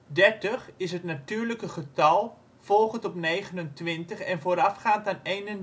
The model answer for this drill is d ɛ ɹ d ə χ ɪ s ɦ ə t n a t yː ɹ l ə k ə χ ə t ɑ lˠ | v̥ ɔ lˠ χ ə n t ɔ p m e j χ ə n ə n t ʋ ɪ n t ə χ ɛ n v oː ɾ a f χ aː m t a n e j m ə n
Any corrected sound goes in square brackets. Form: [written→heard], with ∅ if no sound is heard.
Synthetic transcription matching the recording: d ɛ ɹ [d→t] ə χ ɪ s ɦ ə t n a t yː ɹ l ə k ə χ ə t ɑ lˠ | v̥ ɔ lˠ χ ə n t ɔ p [m→n] e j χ ə n ə n t ʋ ɪ n t ə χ ɛ n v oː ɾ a f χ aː [m→n] t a n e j [m→n] ə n